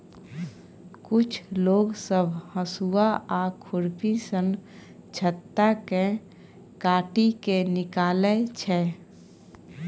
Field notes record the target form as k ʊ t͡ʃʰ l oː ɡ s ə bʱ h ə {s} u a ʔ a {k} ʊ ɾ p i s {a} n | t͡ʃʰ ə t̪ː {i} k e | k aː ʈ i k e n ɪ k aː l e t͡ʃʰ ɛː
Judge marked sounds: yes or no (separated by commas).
yes, no, no, no